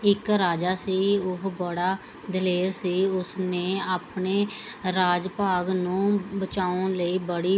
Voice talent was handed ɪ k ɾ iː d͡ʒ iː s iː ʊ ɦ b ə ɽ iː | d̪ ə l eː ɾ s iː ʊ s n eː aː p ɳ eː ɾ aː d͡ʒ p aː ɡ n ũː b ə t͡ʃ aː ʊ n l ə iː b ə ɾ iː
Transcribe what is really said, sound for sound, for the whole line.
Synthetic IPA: ɪ k ɾ aː d͡ʒ aː s iː ʊ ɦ b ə ɽ aː | d̪ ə l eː ɾ s iː ʊ s n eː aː p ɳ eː ɾ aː d͡ʒ p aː ɡ n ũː b ə t͡ʃ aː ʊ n l ə iː b ə ɽ iː